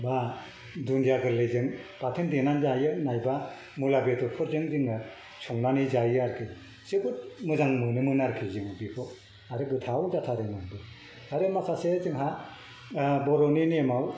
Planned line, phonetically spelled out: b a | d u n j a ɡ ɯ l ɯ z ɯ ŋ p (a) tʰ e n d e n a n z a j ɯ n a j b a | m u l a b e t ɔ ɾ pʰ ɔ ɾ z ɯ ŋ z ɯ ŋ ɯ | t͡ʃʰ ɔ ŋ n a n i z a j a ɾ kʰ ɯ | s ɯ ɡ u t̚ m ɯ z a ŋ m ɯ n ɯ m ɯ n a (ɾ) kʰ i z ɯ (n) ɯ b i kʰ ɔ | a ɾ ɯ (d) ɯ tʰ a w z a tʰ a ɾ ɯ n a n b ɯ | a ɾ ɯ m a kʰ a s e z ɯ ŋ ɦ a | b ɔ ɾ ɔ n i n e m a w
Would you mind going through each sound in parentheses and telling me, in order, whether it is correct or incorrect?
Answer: correct, correct, incorrect: ŋ, incorrect: ɡ

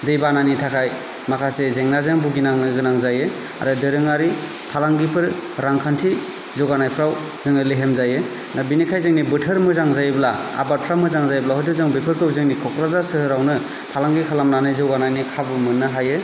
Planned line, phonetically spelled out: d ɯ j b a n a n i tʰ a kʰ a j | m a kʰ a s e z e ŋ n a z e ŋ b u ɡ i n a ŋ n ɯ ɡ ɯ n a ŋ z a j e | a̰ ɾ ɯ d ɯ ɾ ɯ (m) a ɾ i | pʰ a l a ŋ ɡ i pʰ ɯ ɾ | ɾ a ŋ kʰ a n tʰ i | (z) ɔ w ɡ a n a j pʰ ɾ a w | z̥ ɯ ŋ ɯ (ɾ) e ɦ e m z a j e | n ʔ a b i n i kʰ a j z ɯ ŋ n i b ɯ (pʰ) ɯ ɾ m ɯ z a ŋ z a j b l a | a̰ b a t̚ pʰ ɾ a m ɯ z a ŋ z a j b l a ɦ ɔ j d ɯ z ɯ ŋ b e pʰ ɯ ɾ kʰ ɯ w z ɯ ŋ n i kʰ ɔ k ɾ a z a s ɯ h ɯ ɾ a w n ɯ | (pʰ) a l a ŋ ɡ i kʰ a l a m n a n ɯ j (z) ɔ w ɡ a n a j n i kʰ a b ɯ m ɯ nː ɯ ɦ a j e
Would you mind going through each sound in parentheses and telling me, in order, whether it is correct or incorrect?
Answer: incorrect: ŋ, correct, incorrect: l, incorrect: tʰ, correct, correct

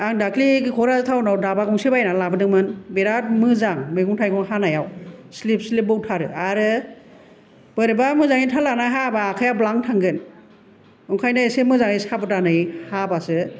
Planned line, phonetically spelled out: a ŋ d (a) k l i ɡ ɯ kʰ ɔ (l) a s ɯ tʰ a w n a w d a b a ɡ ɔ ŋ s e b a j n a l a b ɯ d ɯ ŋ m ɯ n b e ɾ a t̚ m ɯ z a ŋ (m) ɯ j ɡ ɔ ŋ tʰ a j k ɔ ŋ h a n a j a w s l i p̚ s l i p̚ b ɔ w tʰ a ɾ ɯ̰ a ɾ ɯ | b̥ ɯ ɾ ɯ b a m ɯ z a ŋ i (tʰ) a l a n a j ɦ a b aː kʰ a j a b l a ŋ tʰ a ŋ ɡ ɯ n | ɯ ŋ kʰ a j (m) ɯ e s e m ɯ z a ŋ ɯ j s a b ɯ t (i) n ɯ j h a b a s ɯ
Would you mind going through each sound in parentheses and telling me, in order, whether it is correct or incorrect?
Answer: correct, incorrect: ɾ, correct, correct, incorrect: n, incorrect: a

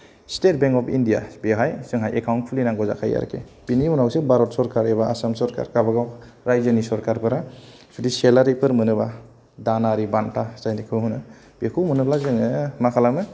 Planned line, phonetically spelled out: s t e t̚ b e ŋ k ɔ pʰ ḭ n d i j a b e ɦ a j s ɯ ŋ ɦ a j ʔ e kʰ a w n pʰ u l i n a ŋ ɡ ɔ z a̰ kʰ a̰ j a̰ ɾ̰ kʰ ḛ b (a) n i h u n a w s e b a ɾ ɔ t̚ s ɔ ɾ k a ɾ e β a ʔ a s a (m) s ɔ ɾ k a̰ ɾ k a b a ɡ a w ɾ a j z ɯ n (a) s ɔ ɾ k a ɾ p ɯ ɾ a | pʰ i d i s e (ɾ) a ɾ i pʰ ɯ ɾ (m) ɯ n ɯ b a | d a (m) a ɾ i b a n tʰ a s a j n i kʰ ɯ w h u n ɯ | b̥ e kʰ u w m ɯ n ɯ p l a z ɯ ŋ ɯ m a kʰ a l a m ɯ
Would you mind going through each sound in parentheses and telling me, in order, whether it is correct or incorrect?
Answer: incorrect: i, correct, incorrect: i, incorrect: l, correct, incorrect: n

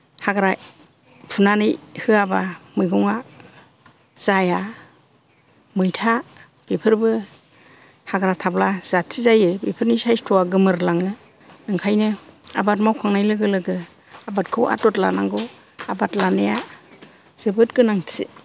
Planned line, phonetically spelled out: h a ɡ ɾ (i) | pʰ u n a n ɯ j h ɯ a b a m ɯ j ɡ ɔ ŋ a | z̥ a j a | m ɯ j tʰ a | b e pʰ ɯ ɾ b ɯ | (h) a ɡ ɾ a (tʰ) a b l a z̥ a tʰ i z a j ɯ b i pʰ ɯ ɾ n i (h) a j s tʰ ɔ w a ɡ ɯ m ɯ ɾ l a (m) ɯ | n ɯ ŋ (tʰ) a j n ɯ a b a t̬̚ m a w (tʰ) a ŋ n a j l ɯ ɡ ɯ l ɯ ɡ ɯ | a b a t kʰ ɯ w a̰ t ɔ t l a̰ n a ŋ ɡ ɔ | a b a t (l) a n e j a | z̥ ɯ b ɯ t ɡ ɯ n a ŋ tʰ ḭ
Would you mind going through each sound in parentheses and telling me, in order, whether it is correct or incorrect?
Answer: incorrect: a, correct, correct, incorrect: s, incorrect: ŋ, incorrect: kʰ, incorrect: kʰ, correct

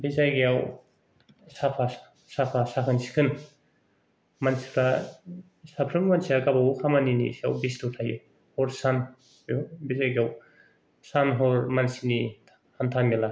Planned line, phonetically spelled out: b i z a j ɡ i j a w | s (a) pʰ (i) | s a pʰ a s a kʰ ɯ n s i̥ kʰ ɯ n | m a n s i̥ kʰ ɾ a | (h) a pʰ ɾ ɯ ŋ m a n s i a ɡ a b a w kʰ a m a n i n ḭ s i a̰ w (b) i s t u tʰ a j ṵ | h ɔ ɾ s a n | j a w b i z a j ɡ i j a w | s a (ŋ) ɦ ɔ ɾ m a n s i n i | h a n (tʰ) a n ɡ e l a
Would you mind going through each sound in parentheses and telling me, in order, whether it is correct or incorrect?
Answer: correct, incorrect: a, incorrect: s, correct, incorrect: n, correct

